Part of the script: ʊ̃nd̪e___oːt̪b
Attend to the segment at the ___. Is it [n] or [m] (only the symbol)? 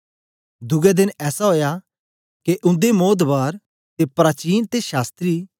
m